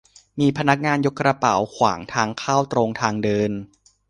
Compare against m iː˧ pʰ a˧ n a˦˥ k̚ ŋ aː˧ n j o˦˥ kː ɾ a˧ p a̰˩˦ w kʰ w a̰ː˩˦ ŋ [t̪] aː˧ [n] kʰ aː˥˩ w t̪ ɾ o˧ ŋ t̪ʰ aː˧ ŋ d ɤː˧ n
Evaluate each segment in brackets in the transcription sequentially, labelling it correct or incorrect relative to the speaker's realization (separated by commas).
incorrect, incorrect